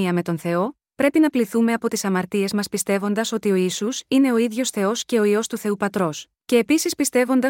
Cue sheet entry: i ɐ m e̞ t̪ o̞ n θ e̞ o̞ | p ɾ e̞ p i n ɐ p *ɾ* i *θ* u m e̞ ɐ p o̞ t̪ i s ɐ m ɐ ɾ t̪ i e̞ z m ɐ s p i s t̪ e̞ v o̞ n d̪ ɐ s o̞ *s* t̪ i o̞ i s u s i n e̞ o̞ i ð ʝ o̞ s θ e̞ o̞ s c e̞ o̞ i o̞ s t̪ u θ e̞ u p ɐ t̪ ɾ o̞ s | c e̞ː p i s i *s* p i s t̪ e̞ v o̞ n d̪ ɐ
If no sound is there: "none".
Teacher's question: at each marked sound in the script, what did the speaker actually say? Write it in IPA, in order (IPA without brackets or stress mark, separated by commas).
l, θ, none, s